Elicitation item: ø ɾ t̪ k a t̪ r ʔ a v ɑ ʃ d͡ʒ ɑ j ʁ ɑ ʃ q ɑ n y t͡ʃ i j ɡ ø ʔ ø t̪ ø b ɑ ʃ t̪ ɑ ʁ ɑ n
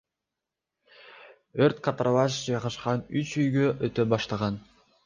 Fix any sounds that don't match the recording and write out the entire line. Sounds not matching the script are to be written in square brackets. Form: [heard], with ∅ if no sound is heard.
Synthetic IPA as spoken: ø ɾ t̪ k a t̪ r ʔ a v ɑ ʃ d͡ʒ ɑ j ʁ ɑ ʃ q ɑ n y t͡ʃ [y] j ɡ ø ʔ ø t̪ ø b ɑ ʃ t̪ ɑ ʁ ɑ n